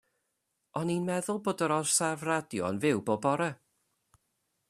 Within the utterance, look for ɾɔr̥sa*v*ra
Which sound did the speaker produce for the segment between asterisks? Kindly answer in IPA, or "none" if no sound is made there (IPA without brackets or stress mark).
v